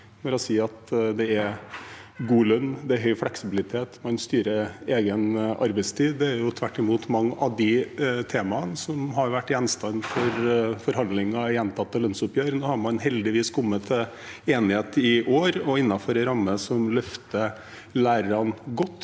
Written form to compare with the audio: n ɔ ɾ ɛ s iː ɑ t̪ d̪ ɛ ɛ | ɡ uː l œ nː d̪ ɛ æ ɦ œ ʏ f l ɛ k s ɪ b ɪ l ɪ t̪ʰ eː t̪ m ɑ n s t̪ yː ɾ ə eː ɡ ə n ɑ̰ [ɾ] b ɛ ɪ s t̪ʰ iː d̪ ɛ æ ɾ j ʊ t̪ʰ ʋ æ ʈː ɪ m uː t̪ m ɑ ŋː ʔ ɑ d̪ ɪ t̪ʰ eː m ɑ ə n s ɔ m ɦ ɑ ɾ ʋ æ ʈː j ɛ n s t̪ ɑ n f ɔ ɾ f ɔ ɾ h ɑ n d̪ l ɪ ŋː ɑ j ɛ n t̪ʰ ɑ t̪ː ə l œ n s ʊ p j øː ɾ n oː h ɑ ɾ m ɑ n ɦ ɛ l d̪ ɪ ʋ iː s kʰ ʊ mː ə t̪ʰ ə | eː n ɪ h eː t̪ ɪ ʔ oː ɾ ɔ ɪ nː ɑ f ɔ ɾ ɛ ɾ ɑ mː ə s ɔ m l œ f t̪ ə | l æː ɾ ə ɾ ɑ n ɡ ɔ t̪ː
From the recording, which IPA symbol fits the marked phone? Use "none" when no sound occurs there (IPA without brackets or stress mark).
ɾ